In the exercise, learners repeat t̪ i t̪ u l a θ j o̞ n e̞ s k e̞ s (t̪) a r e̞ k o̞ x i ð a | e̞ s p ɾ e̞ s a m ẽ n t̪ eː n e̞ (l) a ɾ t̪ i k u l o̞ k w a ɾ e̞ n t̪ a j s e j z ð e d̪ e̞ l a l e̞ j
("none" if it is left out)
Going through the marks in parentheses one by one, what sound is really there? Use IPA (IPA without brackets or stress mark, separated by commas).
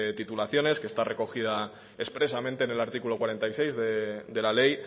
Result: t̪, l